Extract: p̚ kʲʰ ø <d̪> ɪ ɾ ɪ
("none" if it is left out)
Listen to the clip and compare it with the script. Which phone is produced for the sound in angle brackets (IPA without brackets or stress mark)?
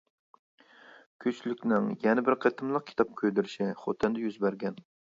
d̪